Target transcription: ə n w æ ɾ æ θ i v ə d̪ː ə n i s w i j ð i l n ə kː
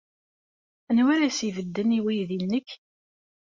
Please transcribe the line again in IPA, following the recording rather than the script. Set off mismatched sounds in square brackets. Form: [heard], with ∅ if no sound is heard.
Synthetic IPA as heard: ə n w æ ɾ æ [s] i v ə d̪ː ə n i [∅] w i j ð i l n ə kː